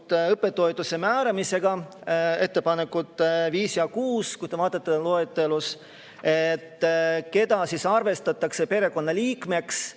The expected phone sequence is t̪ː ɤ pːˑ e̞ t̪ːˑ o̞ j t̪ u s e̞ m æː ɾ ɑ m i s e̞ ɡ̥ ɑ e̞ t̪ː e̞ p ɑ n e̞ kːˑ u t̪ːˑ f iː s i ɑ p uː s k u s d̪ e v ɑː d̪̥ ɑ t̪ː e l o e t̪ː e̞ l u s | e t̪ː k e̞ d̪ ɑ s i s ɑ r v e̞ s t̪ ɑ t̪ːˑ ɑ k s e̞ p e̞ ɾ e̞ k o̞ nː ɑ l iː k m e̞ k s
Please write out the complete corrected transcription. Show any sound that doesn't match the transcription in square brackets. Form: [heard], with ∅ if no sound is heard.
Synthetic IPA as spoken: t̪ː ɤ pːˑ e̞ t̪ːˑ o̞ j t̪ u s e̞ m æː ɾ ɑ m i s e̞ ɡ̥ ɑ e̞ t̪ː e̞ p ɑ n e̞ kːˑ u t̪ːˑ [v] iː s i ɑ [k] uː s k u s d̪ e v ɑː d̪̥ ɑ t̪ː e l o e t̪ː e̞ l u s | e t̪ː k e̞ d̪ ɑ s i s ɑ r v e̞ s t̪ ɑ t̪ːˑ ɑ k s e̞ p e̞ ɾ e̞ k o̞ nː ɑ l iː k m e̞ k s